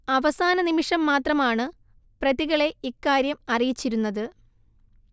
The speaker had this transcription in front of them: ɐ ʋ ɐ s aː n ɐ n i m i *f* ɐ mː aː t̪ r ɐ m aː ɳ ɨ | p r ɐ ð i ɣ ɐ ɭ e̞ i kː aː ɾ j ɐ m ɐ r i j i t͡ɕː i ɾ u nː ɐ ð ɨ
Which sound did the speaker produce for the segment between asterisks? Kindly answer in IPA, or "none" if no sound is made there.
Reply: ʂ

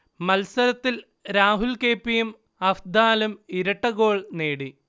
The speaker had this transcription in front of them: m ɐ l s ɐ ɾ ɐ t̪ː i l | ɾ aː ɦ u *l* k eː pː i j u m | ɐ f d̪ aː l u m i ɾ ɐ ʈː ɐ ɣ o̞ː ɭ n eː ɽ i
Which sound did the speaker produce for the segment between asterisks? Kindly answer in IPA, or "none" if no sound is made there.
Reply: l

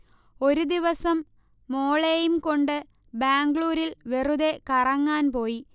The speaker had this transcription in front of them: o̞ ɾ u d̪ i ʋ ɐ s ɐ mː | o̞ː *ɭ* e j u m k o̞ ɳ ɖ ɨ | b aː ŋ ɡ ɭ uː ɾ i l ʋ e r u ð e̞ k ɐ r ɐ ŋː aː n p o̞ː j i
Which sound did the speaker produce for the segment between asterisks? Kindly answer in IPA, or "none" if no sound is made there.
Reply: ɭ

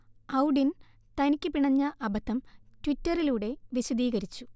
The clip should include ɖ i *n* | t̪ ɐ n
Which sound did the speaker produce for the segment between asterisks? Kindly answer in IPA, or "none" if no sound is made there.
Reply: n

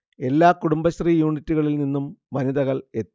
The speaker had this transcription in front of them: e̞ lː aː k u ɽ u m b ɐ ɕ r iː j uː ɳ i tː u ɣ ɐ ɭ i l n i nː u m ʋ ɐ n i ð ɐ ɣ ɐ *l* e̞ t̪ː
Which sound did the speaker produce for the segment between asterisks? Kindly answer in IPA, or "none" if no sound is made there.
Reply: ɭ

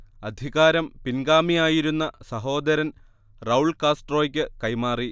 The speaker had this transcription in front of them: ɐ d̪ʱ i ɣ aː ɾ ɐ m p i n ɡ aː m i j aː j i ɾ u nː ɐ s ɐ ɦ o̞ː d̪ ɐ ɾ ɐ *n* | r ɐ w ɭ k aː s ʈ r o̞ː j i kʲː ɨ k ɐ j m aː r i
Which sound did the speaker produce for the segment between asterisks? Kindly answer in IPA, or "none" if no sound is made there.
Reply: n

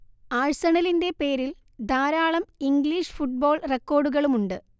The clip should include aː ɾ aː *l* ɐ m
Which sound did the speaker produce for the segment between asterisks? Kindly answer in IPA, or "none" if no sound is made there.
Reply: ɭ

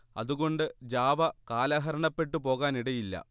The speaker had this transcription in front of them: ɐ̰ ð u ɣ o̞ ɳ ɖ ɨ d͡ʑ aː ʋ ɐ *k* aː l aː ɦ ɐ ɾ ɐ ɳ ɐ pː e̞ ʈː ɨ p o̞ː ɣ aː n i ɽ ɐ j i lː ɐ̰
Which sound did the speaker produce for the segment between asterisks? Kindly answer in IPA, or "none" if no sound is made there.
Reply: k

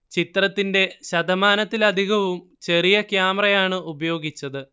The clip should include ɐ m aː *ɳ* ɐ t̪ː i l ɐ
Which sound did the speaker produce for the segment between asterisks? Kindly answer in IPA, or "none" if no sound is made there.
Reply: n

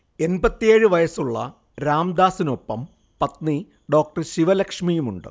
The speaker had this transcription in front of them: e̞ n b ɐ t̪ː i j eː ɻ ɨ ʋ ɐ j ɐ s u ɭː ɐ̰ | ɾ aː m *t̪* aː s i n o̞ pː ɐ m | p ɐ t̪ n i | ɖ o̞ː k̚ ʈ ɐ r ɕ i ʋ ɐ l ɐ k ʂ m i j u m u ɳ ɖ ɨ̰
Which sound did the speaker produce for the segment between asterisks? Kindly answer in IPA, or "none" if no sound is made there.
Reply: d̪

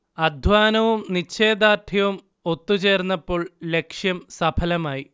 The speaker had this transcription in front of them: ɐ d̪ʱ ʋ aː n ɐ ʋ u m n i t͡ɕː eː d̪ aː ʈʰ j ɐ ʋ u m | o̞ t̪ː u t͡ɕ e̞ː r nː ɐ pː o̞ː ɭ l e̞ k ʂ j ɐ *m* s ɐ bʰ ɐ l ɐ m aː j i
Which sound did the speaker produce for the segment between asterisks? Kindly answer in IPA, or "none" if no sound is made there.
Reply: m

